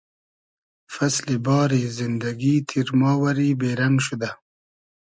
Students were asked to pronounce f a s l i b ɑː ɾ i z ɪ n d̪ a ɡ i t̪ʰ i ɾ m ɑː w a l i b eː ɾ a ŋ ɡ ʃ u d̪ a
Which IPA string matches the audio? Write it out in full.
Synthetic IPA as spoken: f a s l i b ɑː ɾ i z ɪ n d̪ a ɡ i t̪ʰ i ɾ m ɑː w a ɾ i b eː ɾ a ŋ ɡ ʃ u d̪ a

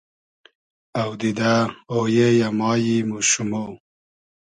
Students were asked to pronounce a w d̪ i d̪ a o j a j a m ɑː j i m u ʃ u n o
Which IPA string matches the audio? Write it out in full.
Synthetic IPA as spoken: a w d̪ i d̪ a o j e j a m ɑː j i m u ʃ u m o

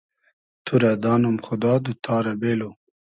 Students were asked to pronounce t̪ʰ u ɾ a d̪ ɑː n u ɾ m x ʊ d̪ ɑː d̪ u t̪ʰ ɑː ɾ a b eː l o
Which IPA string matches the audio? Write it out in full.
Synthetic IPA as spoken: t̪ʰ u ɾ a d̪ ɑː n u m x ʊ d̪ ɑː d̪ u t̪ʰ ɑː ɾ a b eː l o

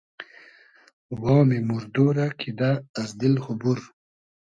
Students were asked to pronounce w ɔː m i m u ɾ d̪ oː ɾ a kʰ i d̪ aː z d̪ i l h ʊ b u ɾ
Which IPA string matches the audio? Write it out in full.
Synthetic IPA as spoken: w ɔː m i m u ɾ d̪ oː ɾ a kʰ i d̪ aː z d̪ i l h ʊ b u ɾ

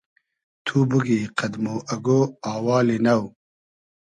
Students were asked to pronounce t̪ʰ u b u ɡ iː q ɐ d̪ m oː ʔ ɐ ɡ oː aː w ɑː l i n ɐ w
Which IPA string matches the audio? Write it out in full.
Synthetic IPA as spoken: t̪ʰ u b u ɡ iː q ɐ d̪ m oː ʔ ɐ ɡ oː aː w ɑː l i n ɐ w

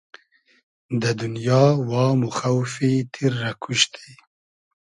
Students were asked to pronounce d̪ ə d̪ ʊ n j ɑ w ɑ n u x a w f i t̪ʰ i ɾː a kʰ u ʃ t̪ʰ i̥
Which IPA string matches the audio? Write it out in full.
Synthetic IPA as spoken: d̪ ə d̪ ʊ n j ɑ w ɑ m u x a w f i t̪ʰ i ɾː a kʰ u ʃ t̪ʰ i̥

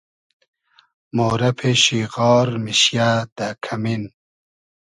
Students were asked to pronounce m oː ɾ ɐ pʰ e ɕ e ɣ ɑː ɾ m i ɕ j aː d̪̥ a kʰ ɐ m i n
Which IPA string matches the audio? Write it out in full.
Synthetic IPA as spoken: m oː ɾ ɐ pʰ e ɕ i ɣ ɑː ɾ m i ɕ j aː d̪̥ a kʰ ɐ m i n

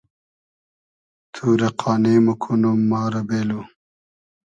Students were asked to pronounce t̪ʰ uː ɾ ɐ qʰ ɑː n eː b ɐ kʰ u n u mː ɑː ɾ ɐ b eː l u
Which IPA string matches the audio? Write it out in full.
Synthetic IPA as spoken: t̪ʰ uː ɾ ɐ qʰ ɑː n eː m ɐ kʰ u n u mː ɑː ɾ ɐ b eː l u

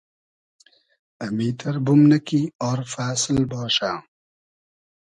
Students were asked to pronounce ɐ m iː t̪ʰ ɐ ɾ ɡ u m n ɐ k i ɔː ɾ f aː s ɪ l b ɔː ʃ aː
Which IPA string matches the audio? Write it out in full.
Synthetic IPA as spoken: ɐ m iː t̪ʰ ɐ ɾ b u m n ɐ k i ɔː ɾ f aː s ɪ l b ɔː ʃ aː

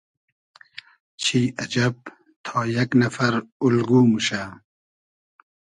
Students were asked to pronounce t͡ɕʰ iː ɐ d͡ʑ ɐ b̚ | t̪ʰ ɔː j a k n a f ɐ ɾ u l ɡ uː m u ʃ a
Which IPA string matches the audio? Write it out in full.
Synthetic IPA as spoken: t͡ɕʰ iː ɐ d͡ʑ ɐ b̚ | t̪ʰ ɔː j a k n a f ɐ ɾ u l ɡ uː m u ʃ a

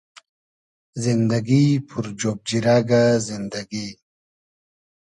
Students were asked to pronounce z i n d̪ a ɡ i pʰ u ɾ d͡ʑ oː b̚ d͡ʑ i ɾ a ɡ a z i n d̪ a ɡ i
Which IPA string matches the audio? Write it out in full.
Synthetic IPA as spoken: z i n d̪ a ɡ i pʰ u ɾ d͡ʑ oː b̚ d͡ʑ i ɾ a ɡ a z i n d̪ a ɡ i

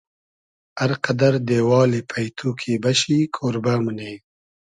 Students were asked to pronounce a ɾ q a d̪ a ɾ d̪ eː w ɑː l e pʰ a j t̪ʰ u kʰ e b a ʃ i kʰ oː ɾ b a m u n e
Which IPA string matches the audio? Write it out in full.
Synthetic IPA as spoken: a ɾ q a d̪ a ɾ d̪ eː w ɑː l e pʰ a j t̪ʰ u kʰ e b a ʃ i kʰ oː ɾ b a m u n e

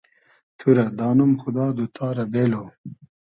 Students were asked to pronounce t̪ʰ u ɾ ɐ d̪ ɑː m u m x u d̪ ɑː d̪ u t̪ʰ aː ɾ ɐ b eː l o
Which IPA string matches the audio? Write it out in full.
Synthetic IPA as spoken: t̪ʰ u ɾ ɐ d̪ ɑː n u m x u d̪ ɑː d̪ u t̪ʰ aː ɾ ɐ b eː l o

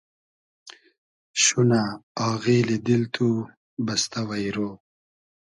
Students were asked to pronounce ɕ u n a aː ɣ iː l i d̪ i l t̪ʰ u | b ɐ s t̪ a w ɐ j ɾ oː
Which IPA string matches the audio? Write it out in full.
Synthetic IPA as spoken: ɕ u n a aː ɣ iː l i d̪ i l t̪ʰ u | b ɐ s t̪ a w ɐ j ɾ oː

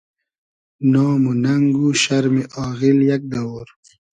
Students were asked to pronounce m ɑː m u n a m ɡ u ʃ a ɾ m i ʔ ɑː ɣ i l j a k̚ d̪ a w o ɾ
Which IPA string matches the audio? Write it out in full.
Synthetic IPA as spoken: n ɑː m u n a ŋ ɡ u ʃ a ɾ m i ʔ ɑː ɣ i l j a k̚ d̪ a w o ɾ

